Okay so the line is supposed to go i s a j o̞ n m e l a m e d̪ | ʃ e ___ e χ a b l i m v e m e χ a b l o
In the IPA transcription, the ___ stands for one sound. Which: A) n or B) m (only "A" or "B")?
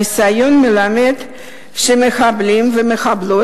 B